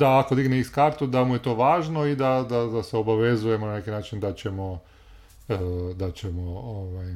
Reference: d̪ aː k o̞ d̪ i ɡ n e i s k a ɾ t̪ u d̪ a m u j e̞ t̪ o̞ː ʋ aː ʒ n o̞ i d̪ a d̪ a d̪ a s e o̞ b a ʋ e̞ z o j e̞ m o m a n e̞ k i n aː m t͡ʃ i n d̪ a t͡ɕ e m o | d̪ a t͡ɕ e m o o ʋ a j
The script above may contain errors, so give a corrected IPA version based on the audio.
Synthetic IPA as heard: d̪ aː k o̞ d̪ i ɡ n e i s k a ɾ t̪ u d̪ a m u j e̞ t̪ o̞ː ʋ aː ʒ n o̞ i d̪ a d̪ a d̪ a s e o̞ b a ʋ e̞ z u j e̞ m o n a n e̞ k i n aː t͡ʃ i n d̪ a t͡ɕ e m o | d̪ a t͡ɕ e m o o ʋ a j